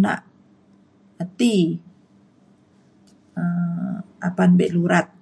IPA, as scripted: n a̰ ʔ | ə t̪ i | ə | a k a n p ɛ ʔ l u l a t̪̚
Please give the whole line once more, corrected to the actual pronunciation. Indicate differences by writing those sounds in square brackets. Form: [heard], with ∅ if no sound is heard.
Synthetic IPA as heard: n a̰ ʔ | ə t̪ i | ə | a [p] a n [b] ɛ ʔ l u [ɾ] a t̪̚